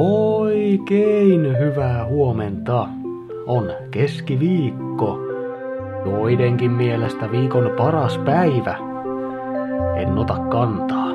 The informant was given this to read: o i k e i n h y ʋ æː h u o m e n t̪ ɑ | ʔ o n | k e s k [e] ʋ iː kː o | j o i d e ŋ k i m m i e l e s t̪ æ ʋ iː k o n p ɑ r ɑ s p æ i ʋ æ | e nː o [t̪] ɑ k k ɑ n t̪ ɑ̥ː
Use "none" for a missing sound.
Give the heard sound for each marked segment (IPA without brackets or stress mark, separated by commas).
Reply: i, t̪